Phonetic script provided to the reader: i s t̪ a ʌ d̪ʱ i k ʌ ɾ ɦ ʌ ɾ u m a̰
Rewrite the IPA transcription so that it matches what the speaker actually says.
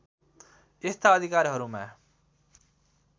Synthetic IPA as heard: e s t̪ a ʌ d̪ʱ i k a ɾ ɦ ʌ ɾ u m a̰